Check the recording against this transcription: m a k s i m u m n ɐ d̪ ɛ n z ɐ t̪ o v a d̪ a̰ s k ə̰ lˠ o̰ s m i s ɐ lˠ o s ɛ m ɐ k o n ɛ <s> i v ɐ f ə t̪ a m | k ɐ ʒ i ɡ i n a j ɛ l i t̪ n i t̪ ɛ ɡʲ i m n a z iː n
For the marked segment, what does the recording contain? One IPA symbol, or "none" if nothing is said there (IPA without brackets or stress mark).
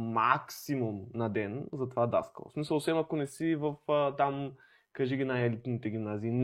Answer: s